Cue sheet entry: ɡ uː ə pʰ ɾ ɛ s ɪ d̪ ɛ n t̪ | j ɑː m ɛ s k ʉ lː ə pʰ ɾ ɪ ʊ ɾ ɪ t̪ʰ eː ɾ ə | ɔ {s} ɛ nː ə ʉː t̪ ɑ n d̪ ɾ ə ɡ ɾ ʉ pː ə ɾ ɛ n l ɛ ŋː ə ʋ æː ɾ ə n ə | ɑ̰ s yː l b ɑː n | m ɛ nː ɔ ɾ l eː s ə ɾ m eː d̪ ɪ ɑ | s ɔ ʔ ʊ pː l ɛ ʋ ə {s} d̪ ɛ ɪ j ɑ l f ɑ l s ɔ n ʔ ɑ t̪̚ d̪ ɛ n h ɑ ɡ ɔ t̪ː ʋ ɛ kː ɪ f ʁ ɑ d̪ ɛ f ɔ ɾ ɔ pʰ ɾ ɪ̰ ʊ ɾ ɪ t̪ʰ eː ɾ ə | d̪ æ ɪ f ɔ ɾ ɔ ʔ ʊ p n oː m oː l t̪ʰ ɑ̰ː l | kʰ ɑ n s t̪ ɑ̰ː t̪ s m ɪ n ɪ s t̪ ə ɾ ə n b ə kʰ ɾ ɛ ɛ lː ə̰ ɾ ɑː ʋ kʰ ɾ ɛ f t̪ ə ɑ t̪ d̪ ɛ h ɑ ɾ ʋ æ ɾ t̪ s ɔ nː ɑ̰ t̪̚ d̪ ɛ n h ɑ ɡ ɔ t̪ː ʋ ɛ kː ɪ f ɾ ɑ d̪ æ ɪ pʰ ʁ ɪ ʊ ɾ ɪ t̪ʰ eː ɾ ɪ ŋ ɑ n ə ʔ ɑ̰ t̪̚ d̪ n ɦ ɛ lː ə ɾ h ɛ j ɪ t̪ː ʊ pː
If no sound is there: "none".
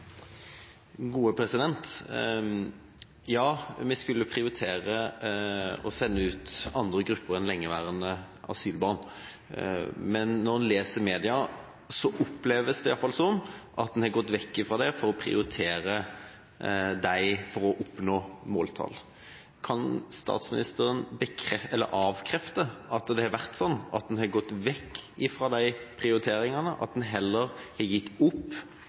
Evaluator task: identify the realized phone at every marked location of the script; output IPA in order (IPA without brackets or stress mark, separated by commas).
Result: s, s